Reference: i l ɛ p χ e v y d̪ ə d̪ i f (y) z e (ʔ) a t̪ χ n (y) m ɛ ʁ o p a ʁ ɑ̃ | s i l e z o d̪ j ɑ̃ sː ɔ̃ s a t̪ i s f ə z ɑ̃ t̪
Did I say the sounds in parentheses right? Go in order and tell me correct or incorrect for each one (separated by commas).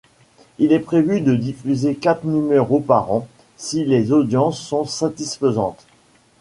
correct, incorrect, correct